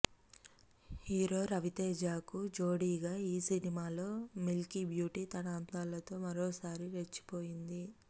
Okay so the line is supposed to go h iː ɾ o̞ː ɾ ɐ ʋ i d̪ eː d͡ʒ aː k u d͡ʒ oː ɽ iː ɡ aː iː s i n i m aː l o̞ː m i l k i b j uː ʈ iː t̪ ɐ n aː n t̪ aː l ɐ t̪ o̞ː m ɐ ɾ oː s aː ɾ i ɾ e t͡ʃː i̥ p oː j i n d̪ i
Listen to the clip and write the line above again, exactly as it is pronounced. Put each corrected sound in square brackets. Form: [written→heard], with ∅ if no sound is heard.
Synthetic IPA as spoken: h iː ɾ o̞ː ɾ ɐ ʋ i [d̪→t̪] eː d͡ʒ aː k u d͡ʒ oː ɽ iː ɡ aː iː s i n i m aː l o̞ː m i l k i b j uː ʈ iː t̪ ɐ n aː n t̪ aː l ɐ t̪ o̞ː m ɐ ɾ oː s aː ɾ i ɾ e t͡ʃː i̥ p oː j i n d̪ i